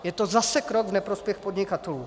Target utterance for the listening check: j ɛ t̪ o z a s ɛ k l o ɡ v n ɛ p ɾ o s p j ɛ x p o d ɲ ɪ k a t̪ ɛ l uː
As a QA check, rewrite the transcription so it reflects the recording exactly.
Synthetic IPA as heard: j ɛ t̪ o z a s ɛ k ɾ o ɡ v n ɛ p ɾ o s p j ɛ x p o d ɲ ɪ k a t̪ ɛ l uː

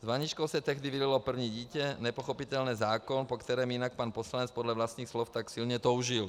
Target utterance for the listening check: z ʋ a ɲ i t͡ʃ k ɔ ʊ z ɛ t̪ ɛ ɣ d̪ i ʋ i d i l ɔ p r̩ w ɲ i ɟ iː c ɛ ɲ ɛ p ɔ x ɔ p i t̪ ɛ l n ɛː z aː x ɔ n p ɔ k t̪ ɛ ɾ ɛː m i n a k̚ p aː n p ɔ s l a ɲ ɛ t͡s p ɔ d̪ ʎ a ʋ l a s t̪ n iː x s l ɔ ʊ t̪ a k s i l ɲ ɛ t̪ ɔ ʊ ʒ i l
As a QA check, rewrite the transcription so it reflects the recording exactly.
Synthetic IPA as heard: z ʋ a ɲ i t͡ʃ k ɔ ʊ s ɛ t̪ ɛ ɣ d̪ i ʋ i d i l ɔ p r̩ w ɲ i ɟ iː c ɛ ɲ ɛ p ɔ x ɔ p i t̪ ɛ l n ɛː z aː k ɔ n p ɔ k t̪ ɛ ɾ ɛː m i n a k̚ p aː n p ɔ s l a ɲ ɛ t͡s p ɔ d̪ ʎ a ʋ l a s t̪ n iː x s l ɔ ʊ t̪ a k s i l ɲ ɛ t̪ ɔ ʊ ʒ i l

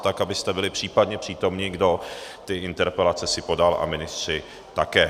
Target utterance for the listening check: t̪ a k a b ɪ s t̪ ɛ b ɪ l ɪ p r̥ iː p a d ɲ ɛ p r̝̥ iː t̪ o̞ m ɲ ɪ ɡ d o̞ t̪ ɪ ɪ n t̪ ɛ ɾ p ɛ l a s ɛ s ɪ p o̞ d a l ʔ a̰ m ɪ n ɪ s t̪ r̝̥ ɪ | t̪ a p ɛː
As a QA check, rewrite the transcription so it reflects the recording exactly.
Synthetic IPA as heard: t̪ a k a b ɪ s t̪ ɛ b ɪ l ɪ p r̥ iː p a d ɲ ɛ p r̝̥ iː t̪ o̞ m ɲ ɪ ɡ d o̞ t̪ ɪ ɪ n t̪ ɛ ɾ p ɛ l a t͡s ɛ s ɪ p o̞ d a l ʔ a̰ m ɪ n ɪ s t̪ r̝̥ ɪ | t̪ a k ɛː

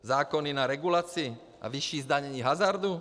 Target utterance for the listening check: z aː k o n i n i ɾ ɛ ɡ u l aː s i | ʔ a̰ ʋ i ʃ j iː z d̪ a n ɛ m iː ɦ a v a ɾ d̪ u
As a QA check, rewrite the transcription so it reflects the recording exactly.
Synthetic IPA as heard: z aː k ɔ n i n a ɾ ɛ ɡ u l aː t͡s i | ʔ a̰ ʋ i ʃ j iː z d̪ a ɲ ɛ ɲ iː ɦ a z a ɾ d̪ u

